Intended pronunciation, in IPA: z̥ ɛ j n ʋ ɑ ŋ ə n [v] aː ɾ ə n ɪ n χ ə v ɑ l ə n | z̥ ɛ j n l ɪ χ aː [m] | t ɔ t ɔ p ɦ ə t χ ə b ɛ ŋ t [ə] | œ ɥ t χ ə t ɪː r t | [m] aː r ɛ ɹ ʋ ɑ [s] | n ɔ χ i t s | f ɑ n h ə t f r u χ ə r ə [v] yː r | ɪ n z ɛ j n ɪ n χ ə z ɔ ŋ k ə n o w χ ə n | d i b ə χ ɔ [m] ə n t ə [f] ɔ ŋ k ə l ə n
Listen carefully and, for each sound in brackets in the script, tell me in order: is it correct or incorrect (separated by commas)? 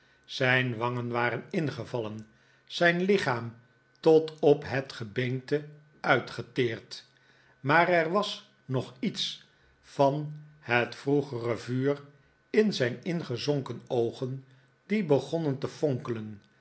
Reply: incorrect, correct, correct, correct, correct, correct, incorrect, correct